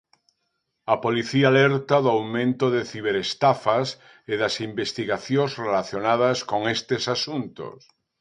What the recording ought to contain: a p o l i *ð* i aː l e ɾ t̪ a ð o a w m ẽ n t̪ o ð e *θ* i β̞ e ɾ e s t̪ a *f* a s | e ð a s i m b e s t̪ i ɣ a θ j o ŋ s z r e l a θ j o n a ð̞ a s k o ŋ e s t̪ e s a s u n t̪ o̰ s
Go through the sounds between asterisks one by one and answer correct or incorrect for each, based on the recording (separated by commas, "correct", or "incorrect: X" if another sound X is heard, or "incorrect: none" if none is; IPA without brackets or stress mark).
incorrect: θ, correct, correct